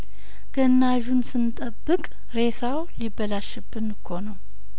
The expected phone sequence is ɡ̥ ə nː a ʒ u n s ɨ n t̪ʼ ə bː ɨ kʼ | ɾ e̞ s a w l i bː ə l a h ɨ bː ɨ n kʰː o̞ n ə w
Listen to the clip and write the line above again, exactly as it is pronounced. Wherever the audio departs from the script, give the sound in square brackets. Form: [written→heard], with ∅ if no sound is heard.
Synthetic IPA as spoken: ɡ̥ ə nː a ʒ u n s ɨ n t̪ʼ ə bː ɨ kʼ | ɾ e̞ s a w l i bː ə l a [h→ʃ] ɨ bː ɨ n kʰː o̞ n ə w